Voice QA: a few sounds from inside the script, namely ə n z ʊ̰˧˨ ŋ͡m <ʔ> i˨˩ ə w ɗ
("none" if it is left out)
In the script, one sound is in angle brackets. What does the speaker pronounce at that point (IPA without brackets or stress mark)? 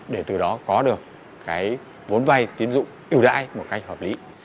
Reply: ʔ